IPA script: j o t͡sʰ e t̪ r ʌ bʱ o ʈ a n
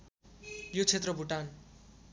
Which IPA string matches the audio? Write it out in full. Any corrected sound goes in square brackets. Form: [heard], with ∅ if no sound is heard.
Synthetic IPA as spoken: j o t͡sʰ e t̪ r ʌ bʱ [u] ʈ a n